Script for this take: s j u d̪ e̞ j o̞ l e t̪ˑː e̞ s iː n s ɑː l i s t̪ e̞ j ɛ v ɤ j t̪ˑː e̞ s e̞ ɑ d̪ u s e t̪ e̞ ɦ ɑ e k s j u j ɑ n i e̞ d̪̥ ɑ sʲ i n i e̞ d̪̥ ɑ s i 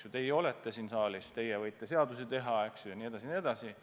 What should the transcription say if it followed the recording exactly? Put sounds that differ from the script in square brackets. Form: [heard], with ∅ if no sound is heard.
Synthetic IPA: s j u [t̪] e̞ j o̞ l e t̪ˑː e̞ s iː n s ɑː l i s t̪ e̞ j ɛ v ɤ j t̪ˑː e̞ s e̞ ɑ d̪ u s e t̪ e̞ ɦ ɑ e k s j u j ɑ n i e̞ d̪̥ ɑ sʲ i n i e̞ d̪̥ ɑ s i